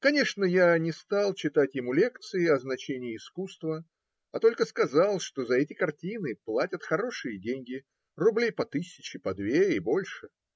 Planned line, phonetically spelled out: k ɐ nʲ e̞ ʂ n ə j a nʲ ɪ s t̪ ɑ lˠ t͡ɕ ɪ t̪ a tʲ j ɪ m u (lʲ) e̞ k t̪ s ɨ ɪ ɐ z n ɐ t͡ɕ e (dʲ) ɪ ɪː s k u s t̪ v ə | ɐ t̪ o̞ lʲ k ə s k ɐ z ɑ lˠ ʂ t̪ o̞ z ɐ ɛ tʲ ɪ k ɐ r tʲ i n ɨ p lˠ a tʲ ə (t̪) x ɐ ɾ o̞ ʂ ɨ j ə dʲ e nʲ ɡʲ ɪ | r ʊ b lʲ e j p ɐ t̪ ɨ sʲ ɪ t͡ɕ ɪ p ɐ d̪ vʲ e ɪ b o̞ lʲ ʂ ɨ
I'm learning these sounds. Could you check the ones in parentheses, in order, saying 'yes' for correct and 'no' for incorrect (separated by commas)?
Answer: yes, no, yes